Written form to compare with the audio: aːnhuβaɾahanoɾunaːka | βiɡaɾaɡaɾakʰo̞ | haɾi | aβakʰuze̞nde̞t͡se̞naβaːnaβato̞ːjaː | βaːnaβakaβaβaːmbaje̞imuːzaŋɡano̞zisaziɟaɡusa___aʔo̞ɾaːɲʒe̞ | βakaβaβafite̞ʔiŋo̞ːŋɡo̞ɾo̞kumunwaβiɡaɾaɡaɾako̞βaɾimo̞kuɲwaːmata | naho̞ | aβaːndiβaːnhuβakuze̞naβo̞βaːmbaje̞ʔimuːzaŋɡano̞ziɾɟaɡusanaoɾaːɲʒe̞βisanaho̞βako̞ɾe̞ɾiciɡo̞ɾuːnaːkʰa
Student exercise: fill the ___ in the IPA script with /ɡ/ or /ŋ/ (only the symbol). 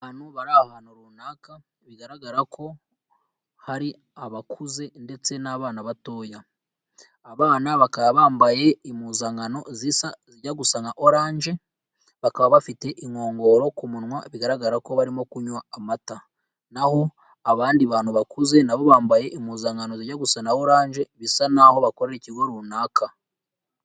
ŋ